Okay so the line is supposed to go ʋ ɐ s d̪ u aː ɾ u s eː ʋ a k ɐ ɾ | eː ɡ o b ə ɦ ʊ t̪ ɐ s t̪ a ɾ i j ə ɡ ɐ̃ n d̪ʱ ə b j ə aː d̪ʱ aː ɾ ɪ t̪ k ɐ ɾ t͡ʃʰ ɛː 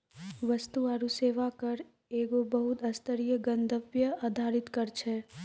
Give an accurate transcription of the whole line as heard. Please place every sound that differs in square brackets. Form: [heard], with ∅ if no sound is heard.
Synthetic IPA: ʋ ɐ s [t̪] u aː ɾ u s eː ʋ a k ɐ ɾ | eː ɡ o b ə ɦ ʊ t̪ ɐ s t̪ [ə] ɾ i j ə ɡ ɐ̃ n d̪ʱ ə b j ə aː d̪ʱ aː ɾ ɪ t̪ k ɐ ɾ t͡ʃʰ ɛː